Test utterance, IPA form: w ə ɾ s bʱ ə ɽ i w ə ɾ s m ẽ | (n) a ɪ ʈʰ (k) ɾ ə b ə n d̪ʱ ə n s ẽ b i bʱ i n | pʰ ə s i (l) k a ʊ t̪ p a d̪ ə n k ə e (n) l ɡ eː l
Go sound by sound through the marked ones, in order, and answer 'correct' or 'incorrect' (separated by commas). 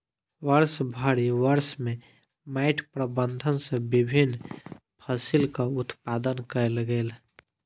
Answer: incorrect, incorrect, correct, incorrect